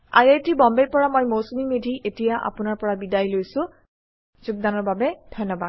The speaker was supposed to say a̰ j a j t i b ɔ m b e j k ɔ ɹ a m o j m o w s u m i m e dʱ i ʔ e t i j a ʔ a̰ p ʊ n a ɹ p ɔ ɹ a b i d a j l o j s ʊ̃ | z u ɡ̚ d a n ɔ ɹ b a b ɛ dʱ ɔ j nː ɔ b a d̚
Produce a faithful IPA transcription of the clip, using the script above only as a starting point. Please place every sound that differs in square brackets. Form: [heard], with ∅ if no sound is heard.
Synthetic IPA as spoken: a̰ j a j t i b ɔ m b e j [p] ɔ ɹ a m o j m o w s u m i m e dʱ i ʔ e t i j a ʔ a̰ p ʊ n a ɹ p ɔ ɹ a b i d a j l o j s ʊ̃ | z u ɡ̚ d a n ɔ ɹ b a b ɛ dʱ ɔ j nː ɔ b a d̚